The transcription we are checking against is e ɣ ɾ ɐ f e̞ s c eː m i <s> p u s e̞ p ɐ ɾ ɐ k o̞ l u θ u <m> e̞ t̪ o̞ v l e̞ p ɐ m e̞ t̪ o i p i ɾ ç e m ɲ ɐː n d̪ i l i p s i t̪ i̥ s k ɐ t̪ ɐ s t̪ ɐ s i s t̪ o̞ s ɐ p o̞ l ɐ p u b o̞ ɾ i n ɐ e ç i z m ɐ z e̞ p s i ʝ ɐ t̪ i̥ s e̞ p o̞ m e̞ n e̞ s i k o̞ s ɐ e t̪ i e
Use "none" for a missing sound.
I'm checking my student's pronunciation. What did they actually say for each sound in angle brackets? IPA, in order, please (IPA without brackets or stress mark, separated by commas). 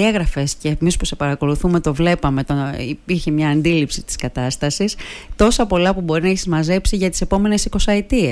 s, m